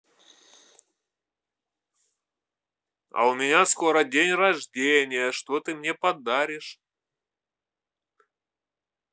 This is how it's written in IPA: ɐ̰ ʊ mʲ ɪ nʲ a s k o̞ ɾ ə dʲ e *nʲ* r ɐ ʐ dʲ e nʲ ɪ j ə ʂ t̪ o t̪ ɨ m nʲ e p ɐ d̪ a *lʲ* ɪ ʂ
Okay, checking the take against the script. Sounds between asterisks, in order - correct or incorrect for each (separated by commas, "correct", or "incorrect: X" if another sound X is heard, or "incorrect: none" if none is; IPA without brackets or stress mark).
correct, incorrect: ɾʲ